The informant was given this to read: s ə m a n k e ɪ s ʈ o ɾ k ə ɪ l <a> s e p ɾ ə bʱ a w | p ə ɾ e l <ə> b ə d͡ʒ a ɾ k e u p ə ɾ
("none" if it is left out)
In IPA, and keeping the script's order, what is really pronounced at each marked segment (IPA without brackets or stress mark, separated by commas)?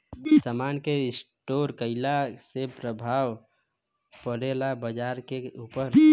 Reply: a, a